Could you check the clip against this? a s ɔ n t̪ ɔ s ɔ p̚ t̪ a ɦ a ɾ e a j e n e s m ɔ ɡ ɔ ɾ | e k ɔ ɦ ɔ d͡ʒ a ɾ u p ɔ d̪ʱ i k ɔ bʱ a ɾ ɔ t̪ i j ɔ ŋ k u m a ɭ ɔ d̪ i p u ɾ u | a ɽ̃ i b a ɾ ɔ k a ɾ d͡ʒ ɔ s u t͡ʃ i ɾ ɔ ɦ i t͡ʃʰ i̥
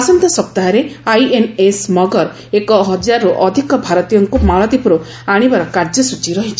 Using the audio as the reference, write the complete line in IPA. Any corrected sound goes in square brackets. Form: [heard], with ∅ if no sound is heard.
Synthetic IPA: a s ɔ n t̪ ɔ s ɔ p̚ t̪ a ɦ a ɾ e a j e n e s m ɔ ɡ ɔ ɾ | e k ɔ ɦ ɔ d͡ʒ a ɾ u [ʔ] ɔ d̪ʱ i k ɔ bʱ a ɾ ɔ t̪ i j ɔ ŋ k u m a ɭ ɔ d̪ i p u ɾ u | a ɽ̃ i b a ɾ ɔ k a ɾ d͡ʒ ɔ s u t͡ʃ i ɾ ɔ ɦ i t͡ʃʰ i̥